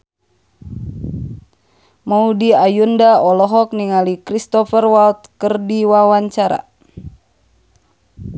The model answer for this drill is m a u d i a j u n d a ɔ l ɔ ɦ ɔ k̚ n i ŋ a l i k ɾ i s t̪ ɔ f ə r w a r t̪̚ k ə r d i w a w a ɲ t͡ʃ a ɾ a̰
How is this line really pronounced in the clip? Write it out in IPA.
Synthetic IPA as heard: m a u d i a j u n d a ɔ l ɔ ɦ ɔ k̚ n i ŋ a l i k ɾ i s t̪ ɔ f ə r w a l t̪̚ k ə r d i w a w a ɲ t͡ʃ a ɾ a̰

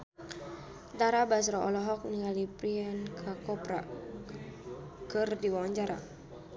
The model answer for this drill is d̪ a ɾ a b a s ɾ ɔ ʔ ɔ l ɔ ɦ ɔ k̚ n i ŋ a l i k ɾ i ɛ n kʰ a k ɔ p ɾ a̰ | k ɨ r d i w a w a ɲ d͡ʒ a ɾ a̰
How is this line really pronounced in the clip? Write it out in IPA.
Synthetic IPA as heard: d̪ a ɾ a b a s ɾ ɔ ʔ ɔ l ɔ ɦ ɔ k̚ n i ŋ a l i p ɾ i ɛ n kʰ a k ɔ p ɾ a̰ | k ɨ r d i w a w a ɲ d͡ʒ a ɾ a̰

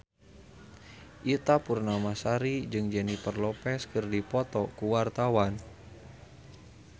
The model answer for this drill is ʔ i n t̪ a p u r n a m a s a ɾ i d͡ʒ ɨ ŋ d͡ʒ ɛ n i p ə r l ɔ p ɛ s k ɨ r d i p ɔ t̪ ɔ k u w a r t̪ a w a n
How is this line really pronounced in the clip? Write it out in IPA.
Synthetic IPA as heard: ʔ i t̪ a p u r n a m a s a ɾ i d͡ʒ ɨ ŋ d͡ʒ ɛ n i p ə r l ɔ p ɛ s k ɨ r d i p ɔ t̪ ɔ k u w a r t̪ a w a n

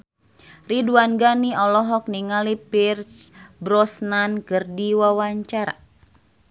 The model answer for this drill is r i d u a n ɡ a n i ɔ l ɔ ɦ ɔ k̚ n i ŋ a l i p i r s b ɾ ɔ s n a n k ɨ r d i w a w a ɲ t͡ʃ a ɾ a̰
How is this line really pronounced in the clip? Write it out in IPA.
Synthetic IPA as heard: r i d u a n ɡ a n i ɔ l ɔ ɦ ɔ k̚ n i ŋ a l i p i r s b ɾ ɔ s n a n k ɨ r d i w a w a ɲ t͡ʃ a ɾ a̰

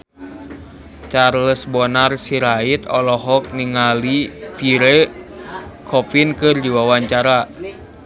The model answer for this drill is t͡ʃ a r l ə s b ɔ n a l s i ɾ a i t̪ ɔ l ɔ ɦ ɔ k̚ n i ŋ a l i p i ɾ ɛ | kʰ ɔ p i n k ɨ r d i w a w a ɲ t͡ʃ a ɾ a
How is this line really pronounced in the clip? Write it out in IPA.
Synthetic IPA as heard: t͡ʃ a r l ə s b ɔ n a r s i ɾ a i t̪ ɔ l ɔ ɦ ɔ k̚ n i ŋ a l i p i ɾ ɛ | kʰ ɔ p i n k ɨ r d i w a w a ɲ t͡ʃ a ɾ a

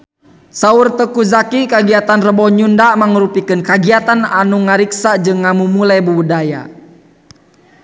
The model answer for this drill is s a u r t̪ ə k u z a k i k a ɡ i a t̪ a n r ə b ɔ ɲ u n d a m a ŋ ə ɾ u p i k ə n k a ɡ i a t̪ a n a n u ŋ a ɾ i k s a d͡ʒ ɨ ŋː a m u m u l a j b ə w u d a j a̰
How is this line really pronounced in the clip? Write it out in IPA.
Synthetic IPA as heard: s a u r t̪ ə k u z a k i k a ɡ i a t̪ a n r ə b ɔ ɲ u n d a m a ŋ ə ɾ u p i k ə n k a ɡ i a t̪ a n a n u ŋ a ɾ i k s a d͡ʒ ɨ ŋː a m u m u l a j b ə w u d a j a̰

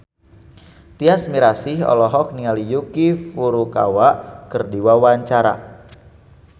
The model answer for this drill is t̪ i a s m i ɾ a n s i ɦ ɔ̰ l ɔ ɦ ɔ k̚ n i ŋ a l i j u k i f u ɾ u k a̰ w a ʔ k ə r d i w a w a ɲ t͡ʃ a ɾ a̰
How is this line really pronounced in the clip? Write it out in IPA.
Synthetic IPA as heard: t̪ i a s m i ɾ a s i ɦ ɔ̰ l ɔ ɦ ɔ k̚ n i ŋ a l i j u k i f u ɾ u k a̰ w a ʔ k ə r d i w a w a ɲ t͡ʃ a ɾ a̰

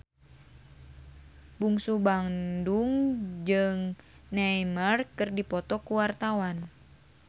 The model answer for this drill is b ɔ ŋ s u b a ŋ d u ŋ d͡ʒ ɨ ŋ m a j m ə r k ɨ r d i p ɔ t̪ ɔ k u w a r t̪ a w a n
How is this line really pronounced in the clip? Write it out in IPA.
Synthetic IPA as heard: b u ŋ s u b a ŋ d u ŋ d͡ʒ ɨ ŋ n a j m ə r k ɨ r d i p ɔ t̪ ɔ k u w a r t̪ a w a n

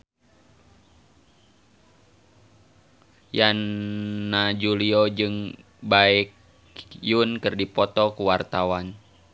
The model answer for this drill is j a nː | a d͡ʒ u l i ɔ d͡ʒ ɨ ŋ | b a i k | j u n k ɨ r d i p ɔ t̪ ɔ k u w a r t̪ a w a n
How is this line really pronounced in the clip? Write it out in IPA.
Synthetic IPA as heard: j a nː | a d͡ʒ u l i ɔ d͡ʒ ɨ ŋ | b a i k | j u n k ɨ r d i p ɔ t̪ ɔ k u w a r t̪ a w a n

